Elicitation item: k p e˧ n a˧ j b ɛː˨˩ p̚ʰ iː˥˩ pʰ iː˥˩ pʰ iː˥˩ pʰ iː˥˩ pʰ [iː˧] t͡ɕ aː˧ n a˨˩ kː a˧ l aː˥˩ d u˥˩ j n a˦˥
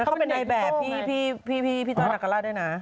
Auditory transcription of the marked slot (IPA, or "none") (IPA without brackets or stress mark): iː˥˩